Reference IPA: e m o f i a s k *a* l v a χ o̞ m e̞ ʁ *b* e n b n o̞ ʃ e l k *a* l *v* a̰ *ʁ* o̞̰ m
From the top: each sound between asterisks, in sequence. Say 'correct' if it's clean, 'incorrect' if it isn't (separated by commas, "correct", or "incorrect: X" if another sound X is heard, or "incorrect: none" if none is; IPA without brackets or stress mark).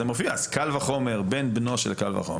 correct, correct, correct, correct, incorrect: χ